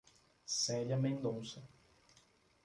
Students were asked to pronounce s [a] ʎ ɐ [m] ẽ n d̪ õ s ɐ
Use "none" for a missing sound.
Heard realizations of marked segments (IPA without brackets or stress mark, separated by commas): ɛ, m